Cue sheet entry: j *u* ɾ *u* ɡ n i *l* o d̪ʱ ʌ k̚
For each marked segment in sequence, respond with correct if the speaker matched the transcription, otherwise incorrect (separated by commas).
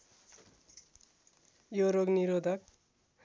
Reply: incorrect, incorrect, incorrect